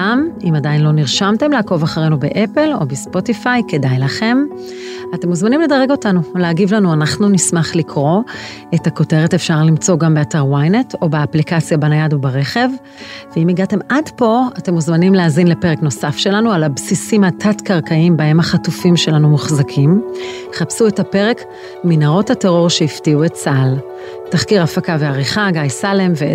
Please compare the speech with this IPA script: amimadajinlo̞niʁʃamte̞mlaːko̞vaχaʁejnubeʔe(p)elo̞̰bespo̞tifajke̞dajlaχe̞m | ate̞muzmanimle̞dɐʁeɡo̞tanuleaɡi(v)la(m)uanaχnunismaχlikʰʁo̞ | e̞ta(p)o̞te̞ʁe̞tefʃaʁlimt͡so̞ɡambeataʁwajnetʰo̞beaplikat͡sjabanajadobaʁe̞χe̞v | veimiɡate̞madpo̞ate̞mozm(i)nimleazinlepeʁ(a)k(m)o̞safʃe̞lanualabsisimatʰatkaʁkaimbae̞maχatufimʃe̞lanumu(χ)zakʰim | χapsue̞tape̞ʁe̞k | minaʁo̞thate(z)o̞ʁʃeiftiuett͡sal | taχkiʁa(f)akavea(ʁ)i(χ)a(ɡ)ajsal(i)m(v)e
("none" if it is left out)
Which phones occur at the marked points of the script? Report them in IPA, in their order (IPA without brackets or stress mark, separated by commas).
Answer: p, v, n, k, a, e, n, χ, ʁ, f, ʁ, χ, ɡ, e, v